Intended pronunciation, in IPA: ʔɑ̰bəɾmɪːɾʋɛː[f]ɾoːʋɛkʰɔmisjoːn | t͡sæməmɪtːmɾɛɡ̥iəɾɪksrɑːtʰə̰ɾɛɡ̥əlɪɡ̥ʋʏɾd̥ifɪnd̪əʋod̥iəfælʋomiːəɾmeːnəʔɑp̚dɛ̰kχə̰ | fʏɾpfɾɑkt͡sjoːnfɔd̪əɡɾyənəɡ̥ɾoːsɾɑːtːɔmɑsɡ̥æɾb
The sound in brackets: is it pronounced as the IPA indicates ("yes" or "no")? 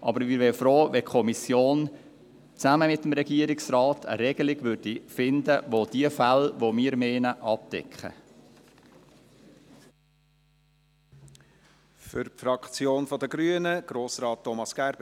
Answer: yes